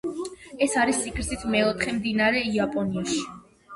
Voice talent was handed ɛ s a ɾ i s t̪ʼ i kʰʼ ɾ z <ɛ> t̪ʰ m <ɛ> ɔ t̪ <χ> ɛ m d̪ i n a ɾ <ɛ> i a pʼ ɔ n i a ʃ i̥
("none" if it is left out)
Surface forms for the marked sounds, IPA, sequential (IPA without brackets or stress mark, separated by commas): i, ɛ, χ, ɛ